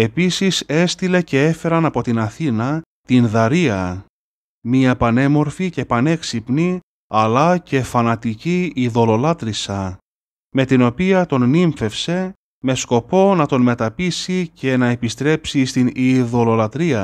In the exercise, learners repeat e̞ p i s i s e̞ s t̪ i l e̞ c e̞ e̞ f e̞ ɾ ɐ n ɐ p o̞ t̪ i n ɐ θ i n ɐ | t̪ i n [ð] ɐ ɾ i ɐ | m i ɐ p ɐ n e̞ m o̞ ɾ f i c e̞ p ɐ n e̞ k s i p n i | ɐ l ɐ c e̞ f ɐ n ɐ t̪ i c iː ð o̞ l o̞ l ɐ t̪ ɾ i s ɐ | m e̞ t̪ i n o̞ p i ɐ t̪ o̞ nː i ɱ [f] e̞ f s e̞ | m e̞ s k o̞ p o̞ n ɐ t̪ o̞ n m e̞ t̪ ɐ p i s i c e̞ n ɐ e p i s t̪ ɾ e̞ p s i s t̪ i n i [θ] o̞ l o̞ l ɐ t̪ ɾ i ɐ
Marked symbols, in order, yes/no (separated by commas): yes, yes, no